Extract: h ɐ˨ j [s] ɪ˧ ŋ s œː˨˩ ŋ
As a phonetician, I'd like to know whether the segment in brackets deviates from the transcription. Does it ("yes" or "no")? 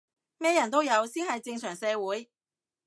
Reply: yes